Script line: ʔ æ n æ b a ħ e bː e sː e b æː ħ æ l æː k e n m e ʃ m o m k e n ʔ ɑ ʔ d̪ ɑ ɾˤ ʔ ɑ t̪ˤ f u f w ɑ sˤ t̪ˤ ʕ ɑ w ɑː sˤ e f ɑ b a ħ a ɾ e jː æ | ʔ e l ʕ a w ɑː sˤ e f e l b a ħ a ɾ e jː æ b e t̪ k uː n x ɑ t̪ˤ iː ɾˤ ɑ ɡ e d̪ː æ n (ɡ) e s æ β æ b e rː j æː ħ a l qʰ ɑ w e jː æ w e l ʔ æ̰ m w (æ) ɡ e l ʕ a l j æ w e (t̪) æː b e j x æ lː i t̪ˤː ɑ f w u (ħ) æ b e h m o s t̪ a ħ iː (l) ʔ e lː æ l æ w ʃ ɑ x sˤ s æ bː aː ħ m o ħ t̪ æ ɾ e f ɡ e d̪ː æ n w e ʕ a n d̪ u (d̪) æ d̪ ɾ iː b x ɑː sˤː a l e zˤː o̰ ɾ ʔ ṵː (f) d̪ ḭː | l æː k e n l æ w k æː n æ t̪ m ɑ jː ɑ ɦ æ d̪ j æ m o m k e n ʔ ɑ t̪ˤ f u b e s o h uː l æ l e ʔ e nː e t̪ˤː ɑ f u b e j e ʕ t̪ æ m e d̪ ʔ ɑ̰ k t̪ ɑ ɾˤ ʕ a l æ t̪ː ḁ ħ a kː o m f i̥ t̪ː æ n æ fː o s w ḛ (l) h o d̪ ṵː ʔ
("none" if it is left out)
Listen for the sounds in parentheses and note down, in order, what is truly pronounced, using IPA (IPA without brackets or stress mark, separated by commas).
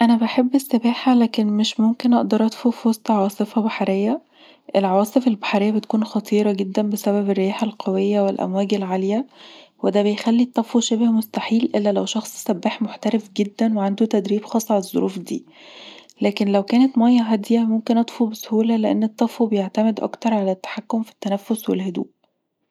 b, æː, d̪, ʃ, l, t̪, f, l